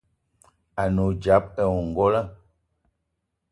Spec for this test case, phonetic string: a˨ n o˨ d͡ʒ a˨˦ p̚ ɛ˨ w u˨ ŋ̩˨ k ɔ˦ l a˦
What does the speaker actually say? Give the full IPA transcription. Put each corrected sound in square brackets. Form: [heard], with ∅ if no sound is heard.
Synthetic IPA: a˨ n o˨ d͡ʒ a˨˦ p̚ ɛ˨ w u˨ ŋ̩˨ [ɡ] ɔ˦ l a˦